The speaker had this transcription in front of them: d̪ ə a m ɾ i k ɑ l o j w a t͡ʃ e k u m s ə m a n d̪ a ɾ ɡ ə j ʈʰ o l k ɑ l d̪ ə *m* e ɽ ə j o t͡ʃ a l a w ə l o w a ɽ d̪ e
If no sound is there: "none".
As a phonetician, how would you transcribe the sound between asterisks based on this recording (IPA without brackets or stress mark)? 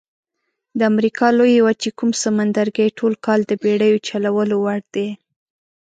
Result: b